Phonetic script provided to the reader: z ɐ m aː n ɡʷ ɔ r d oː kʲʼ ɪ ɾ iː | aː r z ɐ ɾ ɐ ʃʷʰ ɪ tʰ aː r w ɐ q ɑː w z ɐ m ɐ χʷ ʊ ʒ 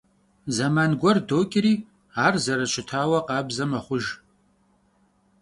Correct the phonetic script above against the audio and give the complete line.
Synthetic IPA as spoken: z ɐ m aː n ɡʷ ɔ r d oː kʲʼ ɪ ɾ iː | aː r z ɐ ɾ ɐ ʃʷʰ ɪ tʰ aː w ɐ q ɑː b z ɐ m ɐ χʷ ʊ ʒ